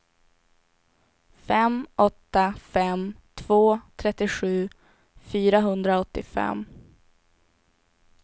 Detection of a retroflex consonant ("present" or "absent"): absent